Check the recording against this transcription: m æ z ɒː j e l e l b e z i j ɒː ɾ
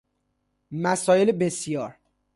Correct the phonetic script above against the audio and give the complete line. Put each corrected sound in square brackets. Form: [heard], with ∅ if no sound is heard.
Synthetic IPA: m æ [s] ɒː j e l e [∅] b e [s] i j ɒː ɾ